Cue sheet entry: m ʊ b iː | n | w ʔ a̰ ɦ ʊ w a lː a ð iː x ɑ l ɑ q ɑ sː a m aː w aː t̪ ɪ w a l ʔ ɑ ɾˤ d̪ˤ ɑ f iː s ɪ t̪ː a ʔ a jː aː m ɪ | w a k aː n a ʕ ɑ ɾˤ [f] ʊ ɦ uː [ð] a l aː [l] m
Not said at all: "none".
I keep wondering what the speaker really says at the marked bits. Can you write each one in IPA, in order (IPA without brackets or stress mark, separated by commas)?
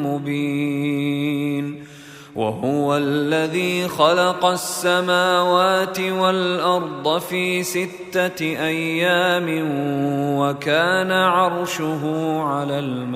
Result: ʃ, ʕ, l